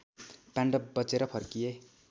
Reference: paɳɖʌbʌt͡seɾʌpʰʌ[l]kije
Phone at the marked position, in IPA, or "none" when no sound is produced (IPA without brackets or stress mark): r